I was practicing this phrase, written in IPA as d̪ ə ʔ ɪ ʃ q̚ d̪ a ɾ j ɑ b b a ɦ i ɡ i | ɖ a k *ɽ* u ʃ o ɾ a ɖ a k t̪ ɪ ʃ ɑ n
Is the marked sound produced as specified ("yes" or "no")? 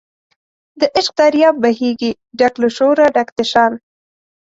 no